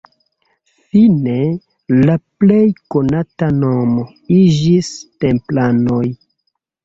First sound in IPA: f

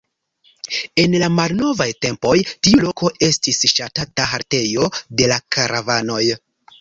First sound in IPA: e̞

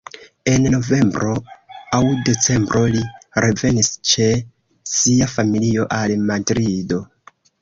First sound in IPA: e̞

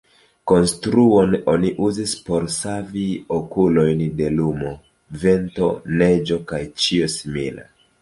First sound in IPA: k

